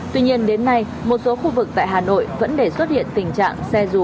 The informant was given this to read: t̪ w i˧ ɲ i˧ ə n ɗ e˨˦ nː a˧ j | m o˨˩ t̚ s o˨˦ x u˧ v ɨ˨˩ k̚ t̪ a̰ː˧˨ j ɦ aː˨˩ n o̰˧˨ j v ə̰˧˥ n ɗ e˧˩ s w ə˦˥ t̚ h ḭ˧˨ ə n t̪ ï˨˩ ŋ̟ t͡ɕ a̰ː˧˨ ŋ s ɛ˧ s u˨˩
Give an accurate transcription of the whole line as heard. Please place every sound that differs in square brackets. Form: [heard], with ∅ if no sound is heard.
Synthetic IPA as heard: t̪ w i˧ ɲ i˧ ə n ɗ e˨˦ nː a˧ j | m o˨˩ t̚ s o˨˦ x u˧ v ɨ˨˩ k̚ t̪ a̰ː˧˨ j ɦ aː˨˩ n o̰˧˨ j v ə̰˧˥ n ɗ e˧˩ s w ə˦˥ t̚ h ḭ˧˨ ə n t̪ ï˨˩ ŋ̟ t͡ɕ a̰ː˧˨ ŋ s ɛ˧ [z] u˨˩